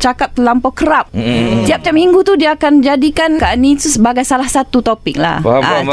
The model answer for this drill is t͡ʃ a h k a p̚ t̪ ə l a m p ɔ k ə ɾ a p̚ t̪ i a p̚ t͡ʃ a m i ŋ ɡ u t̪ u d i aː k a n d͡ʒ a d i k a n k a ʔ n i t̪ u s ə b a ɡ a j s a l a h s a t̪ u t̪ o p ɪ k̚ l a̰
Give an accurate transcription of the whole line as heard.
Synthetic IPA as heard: t͡ʃ a k a p̚ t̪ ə l a m p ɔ k ə ɾ a p̚ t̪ i a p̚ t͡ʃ a m i ŋ ɡ u t̪ u d i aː k a n d͡ʒ a d i k a n k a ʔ n i t̪ u s ə b a ɡ a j s a l a h s a t̪ u t̪ o p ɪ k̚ l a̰